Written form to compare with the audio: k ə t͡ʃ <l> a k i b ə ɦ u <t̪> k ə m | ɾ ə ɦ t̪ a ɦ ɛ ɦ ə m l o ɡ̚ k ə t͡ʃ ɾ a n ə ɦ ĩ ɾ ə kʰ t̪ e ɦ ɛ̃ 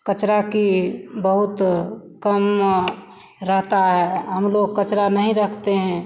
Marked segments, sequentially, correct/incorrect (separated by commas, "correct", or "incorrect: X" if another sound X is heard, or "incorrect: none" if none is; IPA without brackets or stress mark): incorrect: ɾ, correct